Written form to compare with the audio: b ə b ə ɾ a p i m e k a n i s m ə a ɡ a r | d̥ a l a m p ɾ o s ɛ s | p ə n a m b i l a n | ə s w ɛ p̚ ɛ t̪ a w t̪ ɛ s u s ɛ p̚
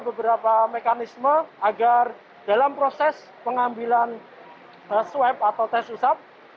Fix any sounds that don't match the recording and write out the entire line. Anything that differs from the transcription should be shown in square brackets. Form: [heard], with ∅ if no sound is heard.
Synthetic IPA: b ə b ə ɾ a p [a] m e k a n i s m ə a ɡ a r | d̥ a l a m p ɾ o s ɛ s | p ə [ŋ] a m b i l a n | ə s w ɛ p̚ [a] t̪ a w t̪ ɛ s u s [a] p̚